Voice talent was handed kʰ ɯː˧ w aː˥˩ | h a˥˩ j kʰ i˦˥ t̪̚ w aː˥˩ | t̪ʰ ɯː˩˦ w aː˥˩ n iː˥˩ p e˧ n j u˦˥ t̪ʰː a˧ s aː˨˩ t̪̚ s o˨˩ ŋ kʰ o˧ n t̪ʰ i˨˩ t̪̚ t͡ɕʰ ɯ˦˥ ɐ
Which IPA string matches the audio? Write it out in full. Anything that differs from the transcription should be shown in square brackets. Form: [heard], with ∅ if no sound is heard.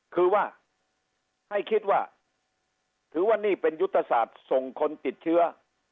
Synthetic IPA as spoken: kʰ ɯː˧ w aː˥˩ | h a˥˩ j kʰ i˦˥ t̪̚ w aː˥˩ | t̪ʰ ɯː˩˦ w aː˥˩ n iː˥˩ p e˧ n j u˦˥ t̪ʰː a˧ s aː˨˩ t̪̚ s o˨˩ ŋ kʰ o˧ n [t̪] i˨˩ t̪̚ t͡ɕʰ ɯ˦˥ ɐ